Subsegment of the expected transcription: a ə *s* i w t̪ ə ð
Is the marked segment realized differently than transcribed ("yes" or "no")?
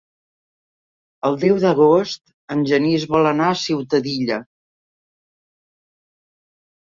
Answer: no